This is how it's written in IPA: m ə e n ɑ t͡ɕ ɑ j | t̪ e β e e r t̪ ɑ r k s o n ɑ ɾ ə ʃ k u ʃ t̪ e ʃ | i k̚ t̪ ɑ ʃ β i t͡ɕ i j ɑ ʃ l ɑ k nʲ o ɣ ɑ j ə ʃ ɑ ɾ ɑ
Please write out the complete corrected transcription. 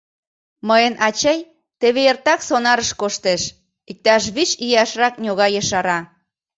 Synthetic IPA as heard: m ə e n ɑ t͡ɕ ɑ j | t̪ e β e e r t̪ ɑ k s o n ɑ ɾ ə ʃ k o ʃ t̪ e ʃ | i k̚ t̪ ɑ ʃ β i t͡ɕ i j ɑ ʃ r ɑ k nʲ o ɣ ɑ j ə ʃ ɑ ɾ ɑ